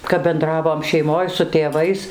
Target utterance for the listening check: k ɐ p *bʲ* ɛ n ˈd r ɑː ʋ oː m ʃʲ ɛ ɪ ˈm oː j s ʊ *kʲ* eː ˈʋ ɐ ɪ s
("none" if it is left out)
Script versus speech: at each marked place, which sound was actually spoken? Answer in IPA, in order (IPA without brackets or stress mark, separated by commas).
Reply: bʲ, tʲ